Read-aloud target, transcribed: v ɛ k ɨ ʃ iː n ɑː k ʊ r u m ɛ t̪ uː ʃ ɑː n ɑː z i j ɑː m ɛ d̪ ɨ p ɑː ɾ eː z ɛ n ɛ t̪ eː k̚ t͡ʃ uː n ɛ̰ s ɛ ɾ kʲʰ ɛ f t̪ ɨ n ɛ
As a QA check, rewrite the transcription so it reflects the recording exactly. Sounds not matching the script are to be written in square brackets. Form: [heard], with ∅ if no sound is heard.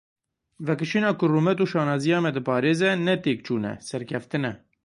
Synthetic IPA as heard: v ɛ k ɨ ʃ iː n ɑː k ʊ r u m ɛ t̪ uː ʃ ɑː n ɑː z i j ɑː m ɛ d̪ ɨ p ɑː ɾ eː z ɛ n ɛ t̪ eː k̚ t͡ʃ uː n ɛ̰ s ɛ ɾ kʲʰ ɛ f t̪ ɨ n ɛ